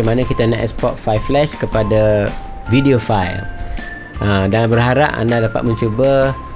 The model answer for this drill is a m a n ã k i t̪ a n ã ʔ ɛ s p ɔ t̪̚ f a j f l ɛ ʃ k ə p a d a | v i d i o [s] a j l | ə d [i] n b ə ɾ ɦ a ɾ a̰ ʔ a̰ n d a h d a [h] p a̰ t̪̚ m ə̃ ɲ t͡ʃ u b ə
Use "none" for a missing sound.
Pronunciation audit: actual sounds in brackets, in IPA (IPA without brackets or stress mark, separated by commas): f, a, none